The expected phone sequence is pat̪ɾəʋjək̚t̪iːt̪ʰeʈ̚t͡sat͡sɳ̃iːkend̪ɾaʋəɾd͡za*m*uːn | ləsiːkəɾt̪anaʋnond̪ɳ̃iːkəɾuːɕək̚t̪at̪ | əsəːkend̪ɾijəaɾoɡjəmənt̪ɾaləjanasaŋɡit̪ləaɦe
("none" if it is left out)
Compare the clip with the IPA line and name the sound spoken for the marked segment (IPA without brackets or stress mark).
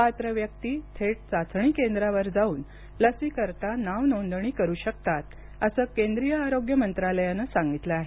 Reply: none